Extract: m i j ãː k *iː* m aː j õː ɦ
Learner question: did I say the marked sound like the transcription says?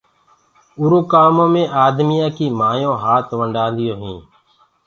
yes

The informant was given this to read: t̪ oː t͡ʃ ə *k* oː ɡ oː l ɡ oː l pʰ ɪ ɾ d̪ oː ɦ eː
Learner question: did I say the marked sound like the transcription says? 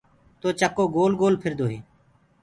yes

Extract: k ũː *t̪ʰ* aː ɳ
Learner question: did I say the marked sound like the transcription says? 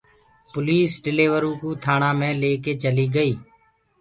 yes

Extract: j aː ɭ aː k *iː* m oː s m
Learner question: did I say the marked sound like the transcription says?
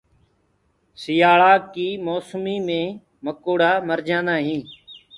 yes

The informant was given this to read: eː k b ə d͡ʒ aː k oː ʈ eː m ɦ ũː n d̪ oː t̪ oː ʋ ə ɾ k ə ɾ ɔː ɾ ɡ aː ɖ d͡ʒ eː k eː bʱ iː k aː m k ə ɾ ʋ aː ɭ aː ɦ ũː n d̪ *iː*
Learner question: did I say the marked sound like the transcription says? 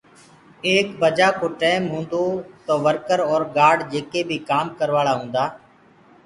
no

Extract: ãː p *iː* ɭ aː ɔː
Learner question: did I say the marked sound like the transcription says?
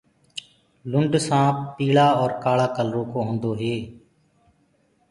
yes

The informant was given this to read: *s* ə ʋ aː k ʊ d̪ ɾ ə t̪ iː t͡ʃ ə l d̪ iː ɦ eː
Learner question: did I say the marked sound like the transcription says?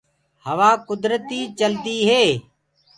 no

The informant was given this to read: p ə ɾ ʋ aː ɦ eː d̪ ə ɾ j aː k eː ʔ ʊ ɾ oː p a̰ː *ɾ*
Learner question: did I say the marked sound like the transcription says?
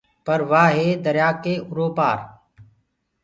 yes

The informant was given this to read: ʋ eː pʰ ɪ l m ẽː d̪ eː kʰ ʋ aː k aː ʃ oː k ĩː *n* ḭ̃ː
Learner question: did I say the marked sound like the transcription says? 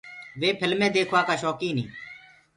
yes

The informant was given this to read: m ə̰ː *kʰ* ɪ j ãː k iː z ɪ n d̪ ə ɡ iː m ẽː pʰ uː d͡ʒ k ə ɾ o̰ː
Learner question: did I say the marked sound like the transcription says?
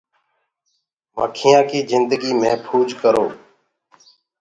yes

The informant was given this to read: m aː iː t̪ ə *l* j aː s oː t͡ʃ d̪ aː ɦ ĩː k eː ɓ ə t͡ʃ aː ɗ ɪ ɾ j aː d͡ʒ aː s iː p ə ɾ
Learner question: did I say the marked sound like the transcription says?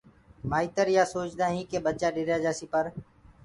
no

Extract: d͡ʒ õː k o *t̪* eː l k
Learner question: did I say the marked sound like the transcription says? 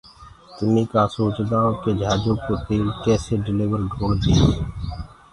yes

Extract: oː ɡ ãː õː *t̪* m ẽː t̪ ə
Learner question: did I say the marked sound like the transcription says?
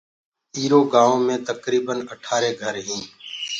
no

